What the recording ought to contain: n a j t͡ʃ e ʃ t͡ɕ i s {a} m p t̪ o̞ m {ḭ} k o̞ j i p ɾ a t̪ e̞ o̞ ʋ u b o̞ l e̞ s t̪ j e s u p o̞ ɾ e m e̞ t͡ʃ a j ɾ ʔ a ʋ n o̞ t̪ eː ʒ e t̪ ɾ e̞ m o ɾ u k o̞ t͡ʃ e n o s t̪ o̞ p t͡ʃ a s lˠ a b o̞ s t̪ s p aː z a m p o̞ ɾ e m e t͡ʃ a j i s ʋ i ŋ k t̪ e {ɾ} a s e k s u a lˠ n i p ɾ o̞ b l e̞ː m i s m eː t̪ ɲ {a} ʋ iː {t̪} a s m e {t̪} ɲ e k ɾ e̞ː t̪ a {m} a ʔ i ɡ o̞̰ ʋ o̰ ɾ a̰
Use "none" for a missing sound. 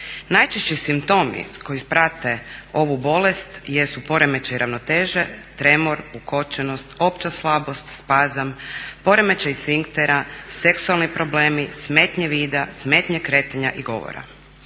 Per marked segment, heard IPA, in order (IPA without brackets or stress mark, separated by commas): i, ḭ, ɾ, e, d̪, t̪, ɲ